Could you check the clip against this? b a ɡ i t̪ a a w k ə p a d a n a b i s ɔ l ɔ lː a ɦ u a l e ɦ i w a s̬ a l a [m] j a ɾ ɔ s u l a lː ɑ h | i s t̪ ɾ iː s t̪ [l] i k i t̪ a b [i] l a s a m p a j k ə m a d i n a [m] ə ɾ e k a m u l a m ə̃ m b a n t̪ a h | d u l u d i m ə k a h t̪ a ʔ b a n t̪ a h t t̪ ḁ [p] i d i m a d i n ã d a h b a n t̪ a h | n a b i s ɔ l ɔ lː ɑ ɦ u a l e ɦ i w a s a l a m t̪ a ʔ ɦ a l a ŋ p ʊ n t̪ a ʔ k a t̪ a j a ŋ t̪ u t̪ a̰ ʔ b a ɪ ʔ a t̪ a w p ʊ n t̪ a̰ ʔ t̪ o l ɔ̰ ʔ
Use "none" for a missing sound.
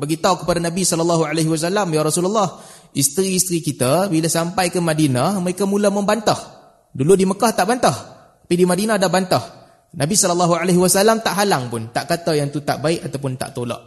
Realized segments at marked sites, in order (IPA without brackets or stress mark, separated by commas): m, ɾ, i, m, p